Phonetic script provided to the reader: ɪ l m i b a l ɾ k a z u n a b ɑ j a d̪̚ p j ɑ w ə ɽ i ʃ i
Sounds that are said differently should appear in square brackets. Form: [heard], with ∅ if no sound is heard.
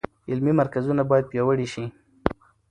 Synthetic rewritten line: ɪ l m i [m] a [∅] ɾ k a z u n a b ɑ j a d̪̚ p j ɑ w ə ɽ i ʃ i